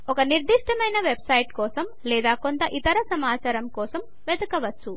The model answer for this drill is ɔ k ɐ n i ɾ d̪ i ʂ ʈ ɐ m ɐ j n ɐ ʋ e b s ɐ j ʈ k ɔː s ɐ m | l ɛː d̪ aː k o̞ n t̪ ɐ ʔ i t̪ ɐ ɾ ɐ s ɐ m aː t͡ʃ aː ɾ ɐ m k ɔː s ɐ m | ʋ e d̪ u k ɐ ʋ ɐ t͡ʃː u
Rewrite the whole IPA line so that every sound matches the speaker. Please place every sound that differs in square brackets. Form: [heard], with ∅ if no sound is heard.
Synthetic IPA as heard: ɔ k ɐ n i ɾ d̪ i ʂ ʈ ɐ m ɐ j n ɐ ʋ e b s ɐ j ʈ k ɔː s ɐ m | l ɛː d̪ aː k o̞ n t̪ ɐ ʔ i t̪ ɐ ɾ ɐ s ɐ m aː t͡ʃ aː ɾ ɐ m k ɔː s ɐ m | ʋ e d̪ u k ɐ ʋ ɐ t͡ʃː u